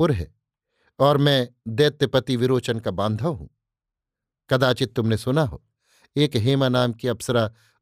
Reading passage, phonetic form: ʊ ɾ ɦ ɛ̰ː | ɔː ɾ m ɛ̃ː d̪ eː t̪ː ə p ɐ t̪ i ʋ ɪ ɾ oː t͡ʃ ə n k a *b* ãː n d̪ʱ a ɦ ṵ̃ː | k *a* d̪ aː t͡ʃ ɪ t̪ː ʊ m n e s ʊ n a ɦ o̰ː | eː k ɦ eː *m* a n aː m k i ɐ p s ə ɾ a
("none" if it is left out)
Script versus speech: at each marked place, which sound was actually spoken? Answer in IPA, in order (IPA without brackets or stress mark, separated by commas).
b, ɐ, m